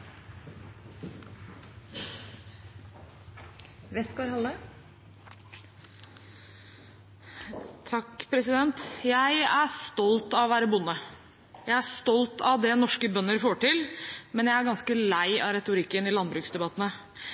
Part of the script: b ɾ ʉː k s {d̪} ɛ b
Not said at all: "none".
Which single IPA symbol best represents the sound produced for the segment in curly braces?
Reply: d̪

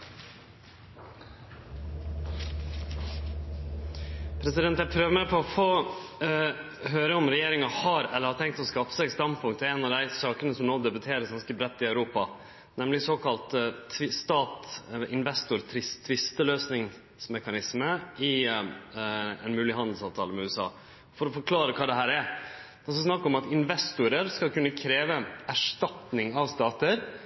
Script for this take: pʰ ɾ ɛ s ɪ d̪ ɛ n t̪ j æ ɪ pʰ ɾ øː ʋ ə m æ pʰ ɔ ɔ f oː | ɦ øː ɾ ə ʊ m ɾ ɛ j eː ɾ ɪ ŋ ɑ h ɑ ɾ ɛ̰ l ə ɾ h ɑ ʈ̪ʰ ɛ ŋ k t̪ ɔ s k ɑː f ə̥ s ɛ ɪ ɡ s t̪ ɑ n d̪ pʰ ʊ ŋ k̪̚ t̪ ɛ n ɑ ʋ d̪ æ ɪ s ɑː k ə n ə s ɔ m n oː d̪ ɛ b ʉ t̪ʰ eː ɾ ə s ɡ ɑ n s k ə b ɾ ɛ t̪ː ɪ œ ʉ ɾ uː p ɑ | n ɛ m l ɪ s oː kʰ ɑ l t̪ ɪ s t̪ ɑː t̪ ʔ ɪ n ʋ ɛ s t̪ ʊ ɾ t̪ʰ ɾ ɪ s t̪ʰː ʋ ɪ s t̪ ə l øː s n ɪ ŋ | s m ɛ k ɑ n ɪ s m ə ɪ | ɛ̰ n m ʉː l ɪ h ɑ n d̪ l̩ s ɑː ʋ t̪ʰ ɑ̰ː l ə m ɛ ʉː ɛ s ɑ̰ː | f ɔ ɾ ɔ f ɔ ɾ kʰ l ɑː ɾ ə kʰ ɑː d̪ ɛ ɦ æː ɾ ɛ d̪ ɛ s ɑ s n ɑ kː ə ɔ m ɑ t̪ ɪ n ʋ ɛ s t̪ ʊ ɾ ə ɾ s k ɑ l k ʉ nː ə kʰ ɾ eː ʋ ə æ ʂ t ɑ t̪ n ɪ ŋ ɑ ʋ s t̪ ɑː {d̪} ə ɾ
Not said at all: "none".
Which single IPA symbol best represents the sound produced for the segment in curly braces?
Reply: t̪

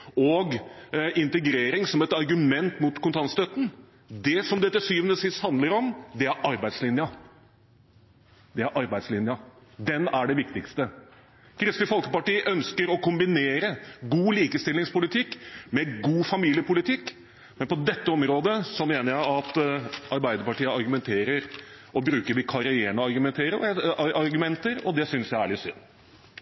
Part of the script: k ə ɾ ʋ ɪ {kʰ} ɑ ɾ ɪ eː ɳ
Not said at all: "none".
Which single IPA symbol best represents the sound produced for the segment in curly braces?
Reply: kʰ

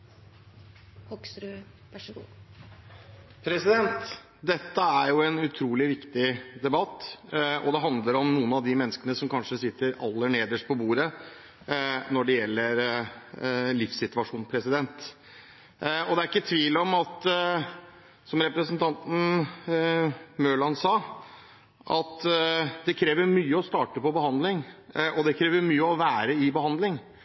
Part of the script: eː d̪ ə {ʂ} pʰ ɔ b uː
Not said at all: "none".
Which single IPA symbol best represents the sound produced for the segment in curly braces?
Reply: ʂ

